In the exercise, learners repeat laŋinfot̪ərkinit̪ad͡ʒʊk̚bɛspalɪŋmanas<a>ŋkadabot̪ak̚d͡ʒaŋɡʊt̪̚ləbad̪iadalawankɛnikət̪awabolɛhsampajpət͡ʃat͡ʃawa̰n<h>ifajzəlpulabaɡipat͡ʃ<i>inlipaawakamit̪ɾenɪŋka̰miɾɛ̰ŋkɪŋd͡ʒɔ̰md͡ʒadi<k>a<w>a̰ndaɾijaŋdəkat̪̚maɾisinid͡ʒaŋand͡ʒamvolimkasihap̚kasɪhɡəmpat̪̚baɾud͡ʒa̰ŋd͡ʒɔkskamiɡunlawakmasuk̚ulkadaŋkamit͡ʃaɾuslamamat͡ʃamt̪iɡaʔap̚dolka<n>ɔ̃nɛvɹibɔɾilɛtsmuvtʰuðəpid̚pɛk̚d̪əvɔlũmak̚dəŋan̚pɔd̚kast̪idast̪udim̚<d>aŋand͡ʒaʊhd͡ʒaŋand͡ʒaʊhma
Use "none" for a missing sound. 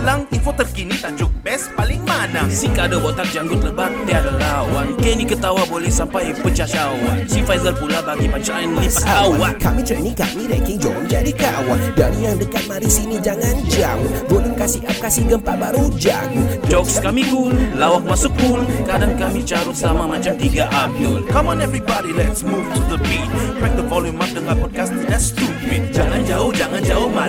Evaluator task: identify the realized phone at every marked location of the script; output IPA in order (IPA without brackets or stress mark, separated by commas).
i, s, a, k, w, m, d͡ʒ